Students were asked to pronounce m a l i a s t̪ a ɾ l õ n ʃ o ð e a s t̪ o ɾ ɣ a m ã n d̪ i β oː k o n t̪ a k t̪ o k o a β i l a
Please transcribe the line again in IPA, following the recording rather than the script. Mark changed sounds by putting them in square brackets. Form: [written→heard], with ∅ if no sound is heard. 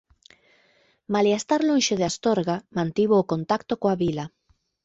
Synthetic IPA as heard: m a l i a s t̪ a ɾ l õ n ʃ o ð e a s t̪ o ɾ ɣ a m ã n [d̪→t̪] i β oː k o n t̪ a k t̪ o k o a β i l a